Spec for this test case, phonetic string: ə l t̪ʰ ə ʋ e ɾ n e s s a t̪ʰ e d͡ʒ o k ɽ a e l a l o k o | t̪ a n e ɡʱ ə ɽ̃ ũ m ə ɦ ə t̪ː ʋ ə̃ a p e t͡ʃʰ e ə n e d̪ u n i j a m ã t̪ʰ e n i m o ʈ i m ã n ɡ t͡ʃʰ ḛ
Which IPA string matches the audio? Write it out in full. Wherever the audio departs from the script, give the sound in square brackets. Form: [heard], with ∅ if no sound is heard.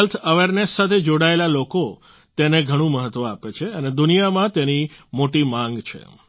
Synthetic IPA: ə l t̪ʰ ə ʋ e ɾ n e s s a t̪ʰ e d͡ʒ o [∅] ɽ a e l a l o k o | t̪ [e] n e ɡʱ ə ɽ̃ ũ m ə ɦ ə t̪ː ʋ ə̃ a p e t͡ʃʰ e ə n e d̪ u n i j a m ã [t̪] e n i m o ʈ i m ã [ŋ] ɡ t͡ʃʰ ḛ